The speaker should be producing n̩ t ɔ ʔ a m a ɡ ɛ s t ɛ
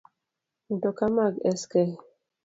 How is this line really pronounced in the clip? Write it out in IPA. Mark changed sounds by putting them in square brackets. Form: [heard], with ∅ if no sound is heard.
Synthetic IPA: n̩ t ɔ [k] a m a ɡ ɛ s [k] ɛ